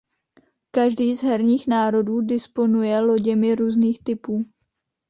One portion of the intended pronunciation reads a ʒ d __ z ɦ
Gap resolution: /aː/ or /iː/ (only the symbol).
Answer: iː